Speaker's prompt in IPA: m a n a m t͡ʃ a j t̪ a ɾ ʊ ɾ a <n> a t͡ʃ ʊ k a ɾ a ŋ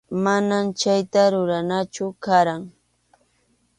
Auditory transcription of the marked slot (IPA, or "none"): n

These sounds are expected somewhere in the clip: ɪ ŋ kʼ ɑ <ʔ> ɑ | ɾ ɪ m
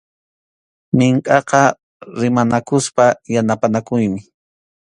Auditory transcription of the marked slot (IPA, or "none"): q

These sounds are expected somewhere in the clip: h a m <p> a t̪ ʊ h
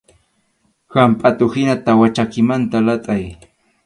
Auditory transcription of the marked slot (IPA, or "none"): pʼ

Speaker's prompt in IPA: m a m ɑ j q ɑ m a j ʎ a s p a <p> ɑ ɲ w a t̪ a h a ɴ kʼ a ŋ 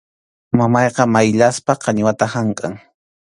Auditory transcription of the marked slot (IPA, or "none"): q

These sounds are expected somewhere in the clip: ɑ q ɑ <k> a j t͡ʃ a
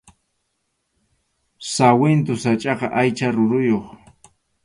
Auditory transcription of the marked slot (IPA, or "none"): ʔ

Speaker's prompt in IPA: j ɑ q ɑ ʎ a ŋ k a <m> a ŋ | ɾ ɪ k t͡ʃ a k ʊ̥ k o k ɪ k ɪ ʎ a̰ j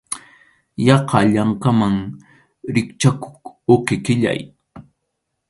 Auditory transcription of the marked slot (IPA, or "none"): m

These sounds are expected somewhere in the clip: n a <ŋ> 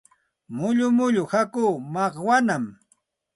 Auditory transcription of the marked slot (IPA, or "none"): m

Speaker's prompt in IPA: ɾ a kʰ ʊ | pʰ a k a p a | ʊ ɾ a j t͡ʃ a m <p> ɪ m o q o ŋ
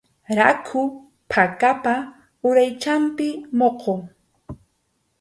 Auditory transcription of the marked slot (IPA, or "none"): p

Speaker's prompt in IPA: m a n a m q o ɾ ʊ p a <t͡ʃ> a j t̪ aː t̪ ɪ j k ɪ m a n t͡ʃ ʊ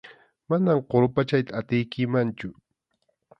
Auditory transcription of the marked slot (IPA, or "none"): t͡ʃ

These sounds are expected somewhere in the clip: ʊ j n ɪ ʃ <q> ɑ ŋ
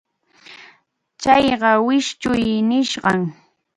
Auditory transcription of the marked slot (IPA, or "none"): ɢ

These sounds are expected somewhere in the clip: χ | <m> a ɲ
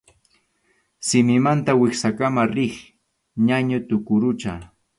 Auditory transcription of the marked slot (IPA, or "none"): ɲ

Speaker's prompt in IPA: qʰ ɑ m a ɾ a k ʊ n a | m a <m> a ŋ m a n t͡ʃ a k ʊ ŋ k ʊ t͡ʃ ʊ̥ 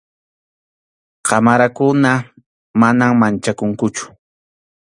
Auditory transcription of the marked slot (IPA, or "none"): n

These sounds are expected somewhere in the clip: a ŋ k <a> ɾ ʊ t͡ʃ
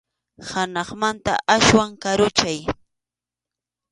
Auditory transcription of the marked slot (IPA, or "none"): a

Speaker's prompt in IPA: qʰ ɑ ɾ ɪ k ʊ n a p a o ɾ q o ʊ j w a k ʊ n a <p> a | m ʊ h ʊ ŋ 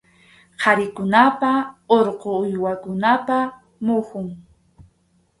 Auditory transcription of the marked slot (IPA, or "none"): p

